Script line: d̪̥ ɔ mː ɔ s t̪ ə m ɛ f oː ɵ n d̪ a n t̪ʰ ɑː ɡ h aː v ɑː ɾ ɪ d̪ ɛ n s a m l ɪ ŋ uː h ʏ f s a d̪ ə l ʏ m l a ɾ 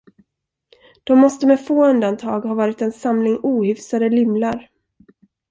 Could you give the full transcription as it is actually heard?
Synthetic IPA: d̪̥ ɔ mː ɔ s t̪ ə m ɛ f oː ɵ n d̪ a n t̪ʰ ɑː ɡ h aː v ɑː ɾ ɪ t̪ ɛ n s a m l ɪ ŋ uː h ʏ f s a d̪ ə l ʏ m l a ɾ